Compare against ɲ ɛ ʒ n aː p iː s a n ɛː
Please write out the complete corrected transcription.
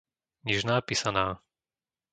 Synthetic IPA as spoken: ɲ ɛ ʒ n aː p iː s a n aː